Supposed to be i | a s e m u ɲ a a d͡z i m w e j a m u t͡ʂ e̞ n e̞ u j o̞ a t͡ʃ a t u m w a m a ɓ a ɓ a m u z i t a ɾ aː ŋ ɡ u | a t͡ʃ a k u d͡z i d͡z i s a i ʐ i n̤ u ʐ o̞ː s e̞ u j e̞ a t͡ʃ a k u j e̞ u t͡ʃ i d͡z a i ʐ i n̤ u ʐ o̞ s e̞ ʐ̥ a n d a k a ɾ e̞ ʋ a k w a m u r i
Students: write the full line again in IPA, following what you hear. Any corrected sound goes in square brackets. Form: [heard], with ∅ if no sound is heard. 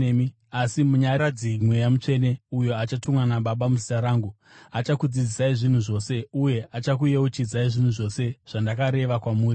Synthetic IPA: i | a s [i] m u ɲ a a d͡z i m w e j a m u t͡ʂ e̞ n e̞ u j o̞ a t͡ʃ a t u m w a [n] a ɓ a ɓ a m u z i t a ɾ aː ŋ ɡ u | a t͡ʃ a k u d͡z i d͡z i s a i ʐ i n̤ u ʐ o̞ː s e̞ u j e̞ a t͡ʃ a k u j e̞ u t͡ʃ i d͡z a i ʐ i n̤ u ʐ o̞ s e̞ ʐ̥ a n d a k a ɾ e̞ ʋ a k w a m [uː] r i